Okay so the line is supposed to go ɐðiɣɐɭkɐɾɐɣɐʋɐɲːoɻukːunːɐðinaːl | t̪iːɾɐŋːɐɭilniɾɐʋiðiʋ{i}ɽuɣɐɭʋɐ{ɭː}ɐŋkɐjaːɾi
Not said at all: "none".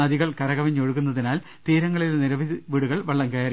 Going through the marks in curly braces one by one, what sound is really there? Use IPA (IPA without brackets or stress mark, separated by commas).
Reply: iː, ɭː